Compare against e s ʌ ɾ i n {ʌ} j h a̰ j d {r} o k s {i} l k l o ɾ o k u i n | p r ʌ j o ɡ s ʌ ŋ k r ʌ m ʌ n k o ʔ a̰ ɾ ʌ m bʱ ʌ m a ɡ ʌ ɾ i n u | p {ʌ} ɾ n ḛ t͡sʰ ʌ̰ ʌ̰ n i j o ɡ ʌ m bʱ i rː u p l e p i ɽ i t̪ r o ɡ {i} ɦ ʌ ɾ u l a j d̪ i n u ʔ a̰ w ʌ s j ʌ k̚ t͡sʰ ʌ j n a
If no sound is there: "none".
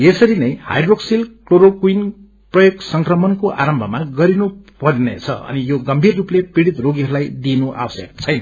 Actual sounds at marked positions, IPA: ʌ, r, i, ʌ, i

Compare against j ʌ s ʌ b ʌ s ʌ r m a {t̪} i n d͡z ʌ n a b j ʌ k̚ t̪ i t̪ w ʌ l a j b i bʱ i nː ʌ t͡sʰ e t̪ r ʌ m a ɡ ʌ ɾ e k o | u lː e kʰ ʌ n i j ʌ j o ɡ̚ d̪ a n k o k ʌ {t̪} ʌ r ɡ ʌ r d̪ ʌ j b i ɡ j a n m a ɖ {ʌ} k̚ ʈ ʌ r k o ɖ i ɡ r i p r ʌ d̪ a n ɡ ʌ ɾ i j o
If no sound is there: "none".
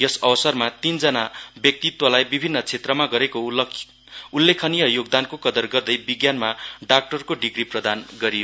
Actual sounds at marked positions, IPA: t̪, d̪, a

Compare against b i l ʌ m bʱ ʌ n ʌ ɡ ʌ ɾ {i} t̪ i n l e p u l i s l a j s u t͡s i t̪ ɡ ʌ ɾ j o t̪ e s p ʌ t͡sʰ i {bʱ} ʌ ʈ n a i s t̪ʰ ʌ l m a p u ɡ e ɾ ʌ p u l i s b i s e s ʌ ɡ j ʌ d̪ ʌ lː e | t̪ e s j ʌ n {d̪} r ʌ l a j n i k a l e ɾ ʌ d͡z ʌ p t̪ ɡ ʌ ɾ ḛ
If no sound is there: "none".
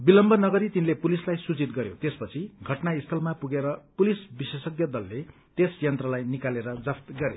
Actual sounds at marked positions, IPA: i, ɡʱ, t̪

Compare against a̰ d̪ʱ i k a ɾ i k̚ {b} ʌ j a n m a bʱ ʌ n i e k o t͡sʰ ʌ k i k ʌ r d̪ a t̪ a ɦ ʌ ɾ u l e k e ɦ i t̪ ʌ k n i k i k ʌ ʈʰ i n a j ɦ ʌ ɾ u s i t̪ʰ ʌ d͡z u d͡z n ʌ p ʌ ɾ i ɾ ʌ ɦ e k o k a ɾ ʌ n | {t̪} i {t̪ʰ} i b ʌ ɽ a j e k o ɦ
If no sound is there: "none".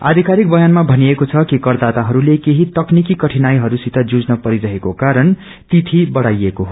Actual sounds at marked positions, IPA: b, t̪, t̪ʰ

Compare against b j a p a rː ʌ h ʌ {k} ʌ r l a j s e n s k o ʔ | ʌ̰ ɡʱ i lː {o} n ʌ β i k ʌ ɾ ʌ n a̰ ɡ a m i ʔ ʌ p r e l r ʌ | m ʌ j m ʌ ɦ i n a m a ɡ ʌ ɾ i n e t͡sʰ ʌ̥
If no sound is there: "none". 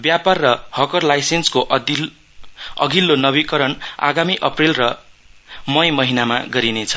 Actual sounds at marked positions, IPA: k, o

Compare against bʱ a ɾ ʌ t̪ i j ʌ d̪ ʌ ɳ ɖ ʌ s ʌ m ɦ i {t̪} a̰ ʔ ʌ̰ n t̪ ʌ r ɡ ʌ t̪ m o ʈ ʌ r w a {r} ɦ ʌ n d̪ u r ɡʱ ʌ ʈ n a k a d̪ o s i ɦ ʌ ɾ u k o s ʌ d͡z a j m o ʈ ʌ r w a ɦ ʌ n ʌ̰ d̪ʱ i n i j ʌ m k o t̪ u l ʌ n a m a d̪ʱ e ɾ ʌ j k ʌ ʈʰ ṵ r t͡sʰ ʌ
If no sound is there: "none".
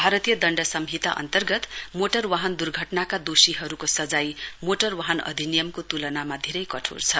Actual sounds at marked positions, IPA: t̪, none

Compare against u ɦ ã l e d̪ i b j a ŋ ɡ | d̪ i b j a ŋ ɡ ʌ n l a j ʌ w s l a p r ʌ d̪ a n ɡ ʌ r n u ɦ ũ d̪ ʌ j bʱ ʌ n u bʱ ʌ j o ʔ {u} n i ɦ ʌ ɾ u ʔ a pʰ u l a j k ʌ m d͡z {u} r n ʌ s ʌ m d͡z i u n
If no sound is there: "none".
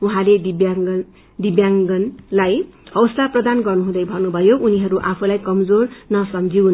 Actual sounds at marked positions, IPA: u, o

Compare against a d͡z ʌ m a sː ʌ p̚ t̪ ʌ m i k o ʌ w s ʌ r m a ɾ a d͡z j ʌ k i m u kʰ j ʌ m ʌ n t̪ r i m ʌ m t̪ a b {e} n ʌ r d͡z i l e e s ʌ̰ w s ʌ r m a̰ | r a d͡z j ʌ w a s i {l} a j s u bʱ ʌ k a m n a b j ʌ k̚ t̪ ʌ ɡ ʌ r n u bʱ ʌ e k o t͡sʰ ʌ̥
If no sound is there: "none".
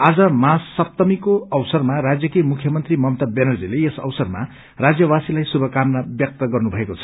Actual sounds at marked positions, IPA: e, l

